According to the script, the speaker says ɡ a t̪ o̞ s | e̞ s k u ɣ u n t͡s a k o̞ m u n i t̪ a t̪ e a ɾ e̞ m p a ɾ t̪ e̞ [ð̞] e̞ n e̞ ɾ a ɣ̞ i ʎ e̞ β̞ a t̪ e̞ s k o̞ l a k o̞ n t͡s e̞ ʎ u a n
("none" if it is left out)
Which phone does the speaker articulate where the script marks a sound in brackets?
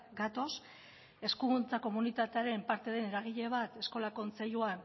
ð̞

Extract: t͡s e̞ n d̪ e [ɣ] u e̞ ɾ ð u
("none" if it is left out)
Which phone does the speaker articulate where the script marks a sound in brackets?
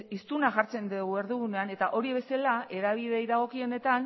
ɣ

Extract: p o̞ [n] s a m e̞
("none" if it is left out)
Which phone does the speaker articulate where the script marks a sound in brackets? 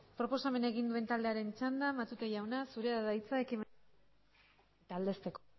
none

